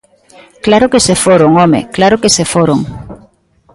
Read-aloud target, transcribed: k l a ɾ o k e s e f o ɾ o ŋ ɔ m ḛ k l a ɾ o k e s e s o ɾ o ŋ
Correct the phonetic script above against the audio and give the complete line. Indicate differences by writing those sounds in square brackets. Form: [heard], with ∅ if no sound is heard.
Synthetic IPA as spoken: k l a ɾ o k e s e f o ɾ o ŋ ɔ m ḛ k l a ɾ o k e s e [f] o ɾ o ŋ